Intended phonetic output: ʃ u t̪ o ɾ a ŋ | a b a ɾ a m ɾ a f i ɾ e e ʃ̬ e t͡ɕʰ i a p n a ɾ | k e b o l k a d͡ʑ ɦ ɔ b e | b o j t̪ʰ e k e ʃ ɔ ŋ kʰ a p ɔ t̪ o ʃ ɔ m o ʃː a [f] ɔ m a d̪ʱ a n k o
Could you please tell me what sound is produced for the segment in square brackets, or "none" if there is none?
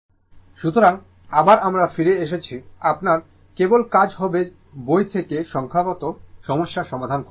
ʃ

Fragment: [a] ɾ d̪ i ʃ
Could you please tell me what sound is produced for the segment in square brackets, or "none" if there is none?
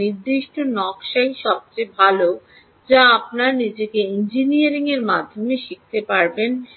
i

